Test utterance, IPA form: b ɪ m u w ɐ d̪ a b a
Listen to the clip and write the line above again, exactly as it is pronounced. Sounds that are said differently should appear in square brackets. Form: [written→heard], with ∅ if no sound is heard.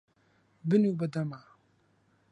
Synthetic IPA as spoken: b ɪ [m→n] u [w→b] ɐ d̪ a [b→m] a